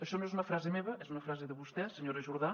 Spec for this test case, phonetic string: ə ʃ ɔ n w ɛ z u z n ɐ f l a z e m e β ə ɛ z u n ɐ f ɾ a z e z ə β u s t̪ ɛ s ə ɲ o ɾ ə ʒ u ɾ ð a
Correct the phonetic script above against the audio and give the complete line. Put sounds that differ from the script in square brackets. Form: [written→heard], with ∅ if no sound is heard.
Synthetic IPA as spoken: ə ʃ ɔ n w ɛ z u [z→∅] n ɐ f [l→ɾ] a z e m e β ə ɛ z u n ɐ f ɾ a z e [z→ð] ə β u s t̪ ɛ s ə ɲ o ɾ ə ʒ u ɾ ð a